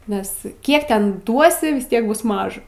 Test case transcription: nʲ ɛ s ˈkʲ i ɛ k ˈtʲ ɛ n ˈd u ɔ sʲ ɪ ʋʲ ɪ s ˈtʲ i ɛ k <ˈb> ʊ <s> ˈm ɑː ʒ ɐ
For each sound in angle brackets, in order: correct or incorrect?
correct, correct

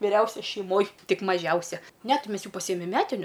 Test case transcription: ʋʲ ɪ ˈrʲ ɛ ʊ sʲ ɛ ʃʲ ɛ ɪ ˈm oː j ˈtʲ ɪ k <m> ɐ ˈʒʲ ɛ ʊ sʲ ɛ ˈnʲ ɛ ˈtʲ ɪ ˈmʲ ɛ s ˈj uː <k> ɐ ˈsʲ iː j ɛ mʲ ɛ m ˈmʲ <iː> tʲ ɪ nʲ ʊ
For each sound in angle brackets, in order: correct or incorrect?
correct, incorrect: p, incorrect: æː

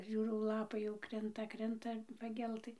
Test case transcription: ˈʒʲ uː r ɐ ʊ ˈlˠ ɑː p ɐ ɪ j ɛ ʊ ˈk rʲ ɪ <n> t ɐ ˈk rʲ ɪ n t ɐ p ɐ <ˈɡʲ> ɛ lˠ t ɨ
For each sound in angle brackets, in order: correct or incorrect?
correct, correct

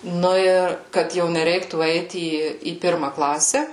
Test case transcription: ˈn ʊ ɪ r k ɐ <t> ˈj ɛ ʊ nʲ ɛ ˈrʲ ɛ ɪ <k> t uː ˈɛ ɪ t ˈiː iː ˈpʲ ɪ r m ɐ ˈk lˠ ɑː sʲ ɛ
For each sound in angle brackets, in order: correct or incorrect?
correct, correct

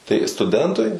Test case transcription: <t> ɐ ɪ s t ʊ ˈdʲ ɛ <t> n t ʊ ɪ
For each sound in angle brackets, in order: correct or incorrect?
correct, incorrect: none

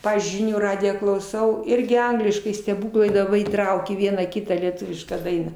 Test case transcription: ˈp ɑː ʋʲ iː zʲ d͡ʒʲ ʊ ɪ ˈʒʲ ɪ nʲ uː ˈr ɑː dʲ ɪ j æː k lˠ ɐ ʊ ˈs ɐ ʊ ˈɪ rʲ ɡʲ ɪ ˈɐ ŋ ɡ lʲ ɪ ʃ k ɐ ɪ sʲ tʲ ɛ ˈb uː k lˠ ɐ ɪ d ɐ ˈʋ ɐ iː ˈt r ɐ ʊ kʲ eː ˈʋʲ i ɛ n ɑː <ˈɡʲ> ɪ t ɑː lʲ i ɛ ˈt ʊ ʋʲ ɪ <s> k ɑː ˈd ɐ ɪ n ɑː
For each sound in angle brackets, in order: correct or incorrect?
incorrect: kʲ, incorrect: ʃ

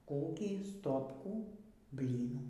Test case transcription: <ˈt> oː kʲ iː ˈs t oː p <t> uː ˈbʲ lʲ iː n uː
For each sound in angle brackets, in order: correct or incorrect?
incorrect: k, incorrect: k

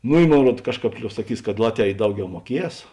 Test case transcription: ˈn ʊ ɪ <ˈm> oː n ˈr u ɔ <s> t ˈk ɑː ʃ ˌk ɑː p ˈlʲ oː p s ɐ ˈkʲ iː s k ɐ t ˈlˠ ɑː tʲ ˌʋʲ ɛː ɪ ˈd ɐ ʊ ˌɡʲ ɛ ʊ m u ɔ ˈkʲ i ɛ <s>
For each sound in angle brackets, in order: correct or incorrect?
correct, incorrect: none, correct

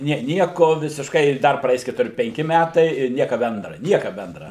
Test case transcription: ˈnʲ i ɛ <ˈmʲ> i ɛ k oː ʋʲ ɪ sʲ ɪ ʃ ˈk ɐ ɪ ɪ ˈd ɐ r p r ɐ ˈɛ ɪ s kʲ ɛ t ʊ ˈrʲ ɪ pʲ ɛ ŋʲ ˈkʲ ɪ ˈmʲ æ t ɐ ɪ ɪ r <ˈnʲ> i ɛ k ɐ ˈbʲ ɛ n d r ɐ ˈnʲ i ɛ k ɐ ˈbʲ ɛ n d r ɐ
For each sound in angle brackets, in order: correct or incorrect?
incorrect: nʲ, correct

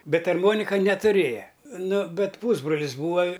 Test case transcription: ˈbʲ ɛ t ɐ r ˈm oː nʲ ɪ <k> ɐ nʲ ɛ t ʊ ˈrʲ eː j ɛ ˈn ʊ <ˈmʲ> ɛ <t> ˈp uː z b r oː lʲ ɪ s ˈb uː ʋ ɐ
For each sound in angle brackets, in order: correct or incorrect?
correct, incorrect: bʲ, correct

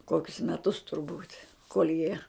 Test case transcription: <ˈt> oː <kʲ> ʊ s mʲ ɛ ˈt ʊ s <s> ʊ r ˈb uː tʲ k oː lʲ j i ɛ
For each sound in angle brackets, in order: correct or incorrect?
incorrect: k, correct, incorrect: t

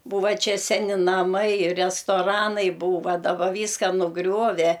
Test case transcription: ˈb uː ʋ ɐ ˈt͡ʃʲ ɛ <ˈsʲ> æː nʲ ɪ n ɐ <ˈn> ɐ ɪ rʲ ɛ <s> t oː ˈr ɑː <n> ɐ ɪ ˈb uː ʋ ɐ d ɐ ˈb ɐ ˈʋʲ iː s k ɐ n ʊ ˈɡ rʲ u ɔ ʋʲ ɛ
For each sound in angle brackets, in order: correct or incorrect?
correct, incorrect: m, correct, correct

